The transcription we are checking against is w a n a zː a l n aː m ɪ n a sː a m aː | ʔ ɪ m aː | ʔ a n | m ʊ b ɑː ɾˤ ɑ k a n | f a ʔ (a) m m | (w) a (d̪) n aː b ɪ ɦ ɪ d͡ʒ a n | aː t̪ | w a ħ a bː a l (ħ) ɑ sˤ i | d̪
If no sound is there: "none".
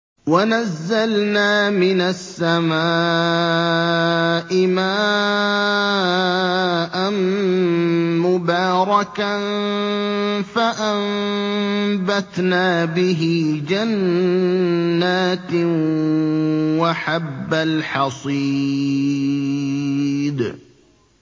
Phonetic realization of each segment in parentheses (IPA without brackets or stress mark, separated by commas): a, b, t̪, ħ